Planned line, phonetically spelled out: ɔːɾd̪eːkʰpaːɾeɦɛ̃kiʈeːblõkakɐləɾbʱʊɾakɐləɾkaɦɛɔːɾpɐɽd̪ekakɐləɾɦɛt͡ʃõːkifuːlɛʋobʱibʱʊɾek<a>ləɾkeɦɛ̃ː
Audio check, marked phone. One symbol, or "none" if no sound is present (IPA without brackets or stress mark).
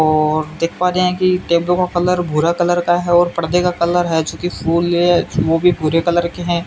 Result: ɐ